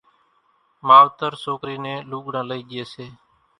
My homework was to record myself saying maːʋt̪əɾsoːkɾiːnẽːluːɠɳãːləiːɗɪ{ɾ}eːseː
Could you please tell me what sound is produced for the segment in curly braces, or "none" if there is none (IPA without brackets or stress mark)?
none